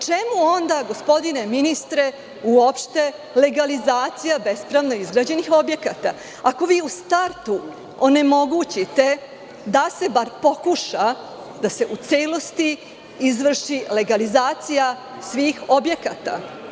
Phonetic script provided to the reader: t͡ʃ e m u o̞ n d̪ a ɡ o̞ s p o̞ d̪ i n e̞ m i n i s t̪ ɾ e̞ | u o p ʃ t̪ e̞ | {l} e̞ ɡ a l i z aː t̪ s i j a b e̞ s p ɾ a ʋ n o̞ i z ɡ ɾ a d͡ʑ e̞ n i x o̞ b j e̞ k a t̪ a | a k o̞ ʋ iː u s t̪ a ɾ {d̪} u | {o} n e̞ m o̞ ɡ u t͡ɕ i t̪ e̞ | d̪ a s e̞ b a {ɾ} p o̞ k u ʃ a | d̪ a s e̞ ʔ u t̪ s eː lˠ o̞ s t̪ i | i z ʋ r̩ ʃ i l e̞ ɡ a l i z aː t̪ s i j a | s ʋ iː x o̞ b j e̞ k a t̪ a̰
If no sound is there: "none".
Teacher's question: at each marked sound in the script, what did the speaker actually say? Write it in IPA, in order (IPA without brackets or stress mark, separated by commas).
l, t̪, o, ɾ